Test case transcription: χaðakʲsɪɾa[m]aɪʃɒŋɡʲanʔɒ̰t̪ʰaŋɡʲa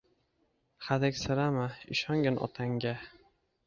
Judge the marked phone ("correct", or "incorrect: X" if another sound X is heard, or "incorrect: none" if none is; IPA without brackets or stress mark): correct